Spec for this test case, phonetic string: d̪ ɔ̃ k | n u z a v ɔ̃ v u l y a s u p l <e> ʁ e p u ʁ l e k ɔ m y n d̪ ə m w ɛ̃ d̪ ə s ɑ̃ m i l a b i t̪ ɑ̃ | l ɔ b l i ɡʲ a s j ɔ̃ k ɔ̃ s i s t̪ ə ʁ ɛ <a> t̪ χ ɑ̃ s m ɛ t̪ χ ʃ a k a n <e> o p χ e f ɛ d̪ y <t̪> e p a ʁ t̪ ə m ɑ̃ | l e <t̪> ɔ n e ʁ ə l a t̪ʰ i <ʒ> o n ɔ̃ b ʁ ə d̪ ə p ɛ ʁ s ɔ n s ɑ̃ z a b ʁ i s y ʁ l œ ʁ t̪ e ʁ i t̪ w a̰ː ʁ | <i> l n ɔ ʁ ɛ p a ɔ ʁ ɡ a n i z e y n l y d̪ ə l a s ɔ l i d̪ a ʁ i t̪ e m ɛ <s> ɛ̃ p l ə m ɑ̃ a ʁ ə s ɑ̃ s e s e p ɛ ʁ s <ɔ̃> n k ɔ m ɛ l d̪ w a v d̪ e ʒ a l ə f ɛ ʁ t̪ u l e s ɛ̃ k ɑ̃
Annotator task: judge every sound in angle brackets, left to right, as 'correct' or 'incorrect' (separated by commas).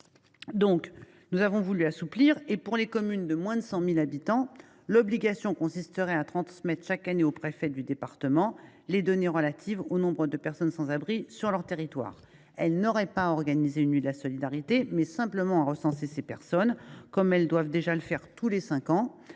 incorrect, correct, correct, incorrect, incorrect, incorrect, incorrect, correct, incorrect